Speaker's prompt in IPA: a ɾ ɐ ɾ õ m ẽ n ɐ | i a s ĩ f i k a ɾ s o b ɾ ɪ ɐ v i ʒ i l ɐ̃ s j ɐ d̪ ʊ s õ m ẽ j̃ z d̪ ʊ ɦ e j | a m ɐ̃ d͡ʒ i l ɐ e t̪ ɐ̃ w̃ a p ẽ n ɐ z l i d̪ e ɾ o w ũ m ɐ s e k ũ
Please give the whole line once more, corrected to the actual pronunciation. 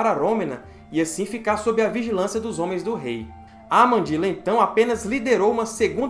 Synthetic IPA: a ɾ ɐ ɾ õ m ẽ n ɐ | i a s ĩ f i k a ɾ s o b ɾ ɪ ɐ v i ʒ i l ɐ̃ s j ɐ d̪ ʊ z õ m ẽ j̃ z d̪ ʊ ɦ e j | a m ɐ̃ d͡ʒ i l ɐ ẽ t̪ ɐ̃ w̃ a p ẽ n ɐ z l i d̪ e ɾ o w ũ m ɐ s e ɡ ũ

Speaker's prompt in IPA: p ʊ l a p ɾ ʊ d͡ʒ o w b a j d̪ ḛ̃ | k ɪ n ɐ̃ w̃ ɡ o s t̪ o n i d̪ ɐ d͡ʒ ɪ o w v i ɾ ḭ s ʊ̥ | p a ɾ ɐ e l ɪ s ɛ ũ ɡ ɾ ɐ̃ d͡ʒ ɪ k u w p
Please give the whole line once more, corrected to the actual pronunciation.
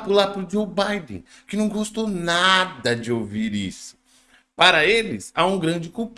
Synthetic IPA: p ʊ l a p ɾ ʊ d͡ʒ o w b a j d̪ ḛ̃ | k ɪ n ɐ̃ w̃ ɡ o s t̪ o n a d̪ ɐ d͡ʒ ɪ o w v i ɾ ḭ s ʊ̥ | p a ɾ ɐ e l ɪ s a ũ ɡ ɾ ɐ̃ d͡ʒ ɪ k u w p

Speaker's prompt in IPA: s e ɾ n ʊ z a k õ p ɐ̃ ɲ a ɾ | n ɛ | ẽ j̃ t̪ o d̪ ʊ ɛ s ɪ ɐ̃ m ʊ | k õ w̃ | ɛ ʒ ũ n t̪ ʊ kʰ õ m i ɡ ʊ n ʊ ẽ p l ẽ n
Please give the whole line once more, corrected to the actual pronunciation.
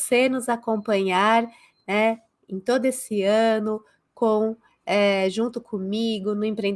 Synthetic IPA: s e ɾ n ʊ z a k õ p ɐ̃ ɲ a ɾ | n ɛ | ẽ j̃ t̪ o d̪ ʊ e s ɪ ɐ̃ n ʊ | k õ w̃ | ɛ ʒ ũ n t̪ ʊ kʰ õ m i ɡ ʊ n ʊ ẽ p ɾ ẽ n

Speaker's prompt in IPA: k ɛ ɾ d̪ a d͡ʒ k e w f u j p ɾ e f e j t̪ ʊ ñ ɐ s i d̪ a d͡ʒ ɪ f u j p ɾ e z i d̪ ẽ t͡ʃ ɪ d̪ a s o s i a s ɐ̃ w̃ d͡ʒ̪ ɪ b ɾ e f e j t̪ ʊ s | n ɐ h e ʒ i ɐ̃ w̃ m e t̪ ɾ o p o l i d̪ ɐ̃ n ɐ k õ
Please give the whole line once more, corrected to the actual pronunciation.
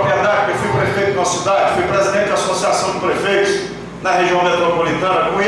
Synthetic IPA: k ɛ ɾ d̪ a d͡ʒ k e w f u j p ɾ e f e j t̪ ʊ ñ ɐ s i d̪ a d͡ʒ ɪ f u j p ɾ e z i d̪ ẽ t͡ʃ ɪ d̪ a s o s i a s ɐ̃ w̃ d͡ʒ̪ ɪ p ɾ e f e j t̪ ʊ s | n ɐ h e ʒ i ɐ̃ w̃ m e t̪ ɾ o p o l i t̪ ɐ̃ n ɐ k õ

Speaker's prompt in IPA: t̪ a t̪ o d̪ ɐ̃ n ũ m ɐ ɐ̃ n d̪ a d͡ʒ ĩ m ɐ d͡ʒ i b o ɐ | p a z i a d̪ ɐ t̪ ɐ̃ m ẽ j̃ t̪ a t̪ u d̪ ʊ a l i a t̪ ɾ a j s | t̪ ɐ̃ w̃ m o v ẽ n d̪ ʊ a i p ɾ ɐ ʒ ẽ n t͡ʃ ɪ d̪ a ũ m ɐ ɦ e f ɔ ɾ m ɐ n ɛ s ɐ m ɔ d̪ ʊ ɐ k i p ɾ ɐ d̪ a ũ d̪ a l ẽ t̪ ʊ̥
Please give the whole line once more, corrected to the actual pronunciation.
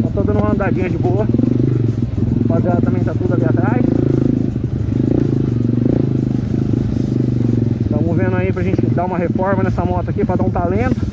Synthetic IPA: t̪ a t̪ o d̪ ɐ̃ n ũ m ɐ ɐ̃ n d̪ a d͡ʒ ĩ ɲ ɐ d͡ʒ ɪ b o ɐ | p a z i a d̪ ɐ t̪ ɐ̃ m ẽ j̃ t̪ a t̪ u d̪ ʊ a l i a t̪ ɾ a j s | t̪ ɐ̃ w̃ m o v ẽ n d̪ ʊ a i p ɾ ɐ ʒ ẽ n t͡ʃ ɪ d̪ a ũ m ɐ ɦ e f ɔ ɾ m ɐ n ɛ s ɐ m ɔ t̪ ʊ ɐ k i p ɾ ɐ d̪ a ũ t̪ a l ẽ t̪ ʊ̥

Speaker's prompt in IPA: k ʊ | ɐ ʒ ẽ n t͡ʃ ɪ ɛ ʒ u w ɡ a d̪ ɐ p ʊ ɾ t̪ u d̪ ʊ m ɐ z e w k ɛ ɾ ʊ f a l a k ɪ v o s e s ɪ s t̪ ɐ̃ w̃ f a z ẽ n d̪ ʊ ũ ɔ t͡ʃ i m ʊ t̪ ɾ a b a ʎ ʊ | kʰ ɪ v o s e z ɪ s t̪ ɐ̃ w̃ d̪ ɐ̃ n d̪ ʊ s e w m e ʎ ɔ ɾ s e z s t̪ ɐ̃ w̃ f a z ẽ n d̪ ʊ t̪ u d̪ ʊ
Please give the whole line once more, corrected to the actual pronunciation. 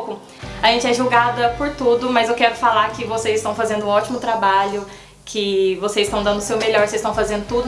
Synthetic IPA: k ʊ | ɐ ʒ ẽ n t͡ʃ ɪ ɛ ʒ u w ɡ a d̪ ɐ p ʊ ɾ t̪ u d̪ ʊ m ɐ z e w k ɛ ɾ ʊ f a l a k ɪ v o s e z ɪ s t̪ ɐ̃ w̃ f a z ẽ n d̪ ʊ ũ ɔ t͡ʃ i m ʊ t̪ ɾ a b a ʎ ʊ | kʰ ɪ v o s e z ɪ s t̪ ɐ̃ w̃ d̪ ɐ̃ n d̪ ʊ s e w m e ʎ ɔ ɾ s e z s t̪ ɐ̃ w̃ f a z ẽ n d̪ ʊ t̪ u d̪ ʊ

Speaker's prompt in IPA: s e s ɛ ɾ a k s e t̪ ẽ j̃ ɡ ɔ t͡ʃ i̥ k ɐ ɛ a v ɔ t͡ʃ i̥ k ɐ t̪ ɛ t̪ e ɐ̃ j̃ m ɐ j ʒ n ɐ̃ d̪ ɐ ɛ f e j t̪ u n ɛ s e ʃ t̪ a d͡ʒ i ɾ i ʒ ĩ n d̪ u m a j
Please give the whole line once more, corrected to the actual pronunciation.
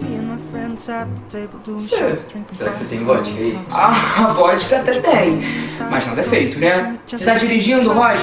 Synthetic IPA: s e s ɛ ɾ a k s e t̪ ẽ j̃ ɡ ɔ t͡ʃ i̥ k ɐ i a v ɔ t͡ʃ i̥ k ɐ t̪ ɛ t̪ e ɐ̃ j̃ m ɐ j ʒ n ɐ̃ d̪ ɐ ɛ f e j t̪ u n ɛ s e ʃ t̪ a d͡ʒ i ɾ i ʒ ĩ n d̪ u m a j

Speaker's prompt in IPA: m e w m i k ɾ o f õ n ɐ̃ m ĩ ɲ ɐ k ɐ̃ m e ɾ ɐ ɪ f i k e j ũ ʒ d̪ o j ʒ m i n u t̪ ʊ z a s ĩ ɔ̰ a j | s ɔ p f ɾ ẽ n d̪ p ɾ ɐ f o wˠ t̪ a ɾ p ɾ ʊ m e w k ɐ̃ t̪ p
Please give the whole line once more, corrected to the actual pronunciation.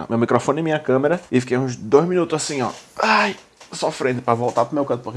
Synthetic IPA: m e w m i k ɾ o f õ n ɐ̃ m ĩ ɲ ɐ k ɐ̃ m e ɾ ɐ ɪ f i k e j ũ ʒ d̪ o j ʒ m i n u t̪ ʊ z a s ĩ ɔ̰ a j | s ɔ f ɾ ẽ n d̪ p ɾ ɐ v o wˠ t̪ a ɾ p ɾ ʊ m e w k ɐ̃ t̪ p

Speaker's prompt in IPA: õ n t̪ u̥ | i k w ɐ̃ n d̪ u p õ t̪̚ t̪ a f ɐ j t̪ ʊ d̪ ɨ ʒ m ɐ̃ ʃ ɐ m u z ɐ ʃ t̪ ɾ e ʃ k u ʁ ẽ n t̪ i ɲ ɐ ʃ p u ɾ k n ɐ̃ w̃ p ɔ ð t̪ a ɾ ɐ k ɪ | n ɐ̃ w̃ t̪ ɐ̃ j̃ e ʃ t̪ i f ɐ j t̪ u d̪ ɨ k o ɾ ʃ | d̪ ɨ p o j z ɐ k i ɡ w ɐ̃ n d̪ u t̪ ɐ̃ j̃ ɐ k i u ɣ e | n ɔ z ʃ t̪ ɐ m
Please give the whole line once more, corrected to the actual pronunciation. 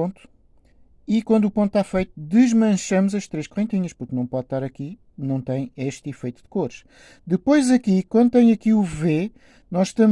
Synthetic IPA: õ n t̪ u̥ | i k w ɐ̃ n d̪ u p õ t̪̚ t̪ a f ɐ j t̪ u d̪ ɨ ʒ m ɐ̃ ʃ ɐ m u z ɐ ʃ t̪ ɾ e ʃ k u ʁ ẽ n t̪ i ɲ ɐ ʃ p u ɾ k n ɐ̃ w̃ p ɔ ð t̪ a ɾ ɐ k i | n ɐ̃ w̃ t̪ ɐ̃ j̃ e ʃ t̪ i f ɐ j t̪ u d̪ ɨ k o ɾ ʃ | d̪ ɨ p o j z ɐ k i k w ɐ̃ n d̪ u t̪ ɐ̃ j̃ ɐ k i u v e | n ɔ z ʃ t̪ ɐ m

